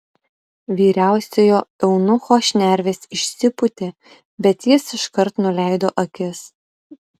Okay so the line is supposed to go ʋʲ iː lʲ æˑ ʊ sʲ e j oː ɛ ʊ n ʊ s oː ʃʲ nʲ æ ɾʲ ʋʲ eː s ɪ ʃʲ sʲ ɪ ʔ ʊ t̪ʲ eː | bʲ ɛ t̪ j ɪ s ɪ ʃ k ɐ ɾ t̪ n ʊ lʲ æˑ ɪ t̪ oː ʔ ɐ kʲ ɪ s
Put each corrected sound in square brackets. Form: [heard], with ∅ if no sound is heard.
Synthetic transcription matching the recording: ʋʲ iː [ɾʲ] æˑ ʊ sʲ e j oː ɛ ʊ n ʊ [x] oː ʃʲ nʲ æ ɾʲ ʋʲ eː s ɪ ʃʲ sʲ ɪ [p] ʊ t̪ʲ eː | bʲ ɛ t̪ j ɪ s ɪ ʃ k ɐ ɾ t̪ n ʊ lʲ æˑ ɪ [d̪] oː ʔ ɐ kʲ ɪ s